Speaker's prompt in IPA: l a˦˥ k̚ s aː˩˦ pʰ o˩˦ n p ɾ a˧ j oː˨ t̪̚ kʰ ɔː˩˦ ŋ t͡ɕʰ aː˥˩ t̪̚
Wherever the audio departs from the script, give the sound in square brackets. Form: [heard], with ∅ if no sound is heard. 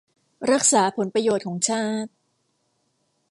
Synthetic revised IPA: [ɾ] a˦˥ k̚ s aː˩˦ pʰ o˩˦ n p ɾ a˧ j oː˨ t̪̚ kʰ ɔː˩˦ ŋ t͡ɕʰ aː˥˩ t̪̚